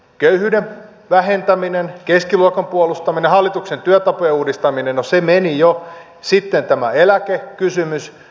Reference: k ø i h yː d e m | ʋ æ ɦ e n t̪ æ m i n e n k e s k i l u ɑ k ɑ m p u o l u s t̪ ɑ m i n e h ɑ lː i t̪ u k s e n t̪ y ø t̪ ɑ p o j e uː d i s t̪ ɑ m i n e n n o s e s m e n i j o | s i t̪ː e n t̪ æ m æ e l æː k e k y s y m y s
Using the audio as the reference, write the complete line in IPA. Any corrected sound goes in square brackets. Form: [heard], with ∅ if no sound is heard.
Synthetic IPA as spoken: k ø [y] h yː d e m | ʋ æ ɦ e n t̪ æ m i n e n k e s k i l u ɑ k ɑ m p u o l u s t̪ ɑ m i n e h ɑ lː i t̪ u k s e n t̪ y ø t̪ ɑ p o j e uː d i s t̪ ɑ m i n e n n o s e [∅] m e n i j o | s i t̪ː e n t̪ æ m æ e l [æ] k e k y s y m y s